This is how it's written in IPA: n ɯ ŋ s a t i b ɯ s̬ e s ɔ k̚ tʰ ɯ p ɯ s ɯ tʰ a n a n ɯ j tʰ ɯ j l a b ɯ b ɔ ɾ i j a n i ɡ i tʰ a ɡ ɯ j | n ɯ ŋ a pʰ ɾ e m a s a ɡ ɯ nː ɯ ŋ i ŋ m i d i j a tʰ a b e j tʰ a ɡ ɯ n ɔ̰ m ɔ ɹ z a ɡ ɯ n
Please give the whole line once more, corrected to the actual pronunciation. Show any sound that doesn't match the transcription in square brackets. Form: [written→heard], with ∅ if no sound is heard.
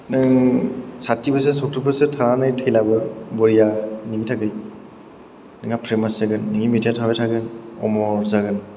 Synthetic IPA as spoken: n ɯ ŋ s a t i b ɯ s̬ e s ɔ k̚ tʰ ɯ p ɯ s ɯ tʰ a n a n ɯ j tʰ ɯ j l a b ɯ b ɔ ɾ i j a n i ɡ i tʰ a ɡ ɯ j | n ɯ ŋ a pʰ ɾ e m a s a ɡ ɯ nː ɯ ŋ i [ŋ→∅] m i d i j a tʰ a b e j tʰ a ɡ ɯ n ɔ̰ m ɔ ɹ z a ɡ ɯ n

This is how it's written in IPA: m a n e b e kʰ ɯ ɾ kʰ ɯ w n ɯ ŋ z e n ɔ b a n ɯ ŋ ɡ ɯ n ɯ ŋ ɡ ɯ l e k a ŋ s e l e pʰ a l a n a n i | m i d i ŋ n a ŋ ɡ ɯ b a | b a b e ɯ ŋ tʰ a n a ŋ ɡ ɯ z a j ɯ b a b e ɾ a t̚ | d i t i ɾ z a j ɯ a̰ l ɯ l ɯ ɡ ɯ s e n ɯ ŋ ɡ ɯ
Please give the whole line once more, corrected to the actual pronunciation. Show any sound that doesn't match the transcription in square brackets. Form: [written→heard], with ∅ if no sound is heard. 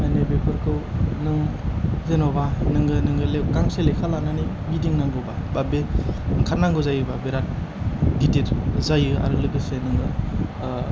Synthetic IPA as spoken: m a n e b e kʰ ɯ ɾ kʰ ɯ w n ɯ ŋ z e n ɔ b a n ɯ ŋ ɡ ɯ n ɯ ŋ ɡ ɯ l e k a ŋ s e l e [pʰ→kʰ] a l a n a n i | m i d i ŋ n a ŋ ɡ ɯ b a | b a b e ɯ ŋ [tʰ→kʰ] a n a ŋ ɡ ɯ z a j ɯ b a b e ɾ a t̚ | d i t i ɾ z a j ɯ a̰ [l→ɾ] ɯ l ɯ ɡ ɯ s e n ɯ ŋ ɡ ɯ

